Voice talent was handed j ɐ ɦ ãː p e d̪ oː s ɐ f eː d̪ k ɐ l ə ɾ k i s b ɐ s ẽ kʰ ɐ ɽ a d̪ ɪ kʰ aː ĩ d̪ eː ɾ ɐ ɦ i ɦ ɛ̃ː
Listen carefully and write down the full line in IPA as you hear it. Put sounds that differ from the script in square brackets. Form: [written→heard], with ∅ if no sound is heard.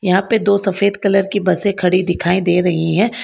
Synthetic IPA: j ɐ ɦ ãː p e d̪ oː s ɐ f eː d̪ k ɐ l ə ɾ k i [s→∅] b ɐ s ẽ kʰ ɐ ɽ [a→i] d̪ ɪ kʰ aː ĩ d̪ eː ɾ ɐ ɦ i ɦ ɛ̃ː